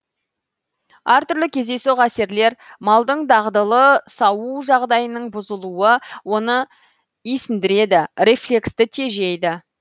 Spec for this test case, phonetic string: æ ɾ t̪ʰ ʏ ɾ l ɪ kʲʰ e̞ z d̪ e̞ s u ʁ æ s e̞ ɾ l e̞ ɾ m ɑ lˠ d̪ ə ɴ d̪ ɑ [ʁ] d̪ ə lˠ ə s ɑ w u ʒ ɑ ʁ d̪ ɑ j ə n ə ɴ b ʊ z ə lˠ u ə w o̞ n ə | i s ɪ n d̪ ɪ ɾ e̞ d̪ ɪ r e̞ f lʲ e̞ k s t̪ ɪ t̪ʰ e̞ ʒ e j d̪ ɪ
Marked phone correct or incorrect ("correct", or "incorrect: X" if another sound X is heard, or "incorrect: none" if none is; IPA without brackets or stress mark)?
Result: correct